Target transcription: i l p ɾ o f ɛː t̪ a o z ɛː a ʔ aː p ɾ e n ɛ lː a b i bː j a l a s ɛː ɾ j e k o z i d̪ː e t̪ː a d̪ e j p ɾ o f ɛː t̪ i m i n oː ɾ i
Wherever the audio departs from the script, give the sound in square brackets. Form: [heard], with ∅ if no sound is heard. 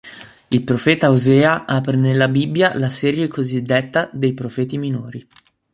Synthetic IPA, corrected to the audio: i l p ɾ o f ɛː t̪ a o z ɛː a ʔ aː p ɾ e n [e] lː a b i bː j a l a s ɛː ɾ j e k o z i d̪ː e t̪ː a d̪ e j p ɾ o f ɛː t̪ i m i n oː ɾ i